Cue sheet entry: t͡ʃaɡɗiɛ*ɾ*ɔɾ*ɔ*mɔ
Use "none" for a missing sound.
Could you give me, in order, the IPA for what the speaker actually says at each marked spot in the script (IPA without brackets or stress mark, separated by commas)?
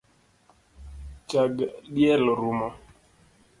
l, u